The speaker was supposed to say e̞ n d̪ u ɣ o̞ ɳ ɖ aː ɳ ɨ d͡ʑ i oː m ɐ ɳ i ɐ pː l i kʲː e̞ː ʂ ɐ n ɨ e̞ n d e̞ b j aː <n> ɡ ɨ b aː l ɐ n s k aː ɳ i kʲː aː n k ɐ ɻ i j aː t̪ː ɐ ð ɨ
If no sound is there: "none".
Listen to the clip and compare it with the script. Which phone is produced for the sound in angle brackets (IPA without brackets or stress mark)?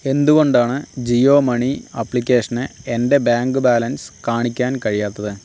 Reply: ŋ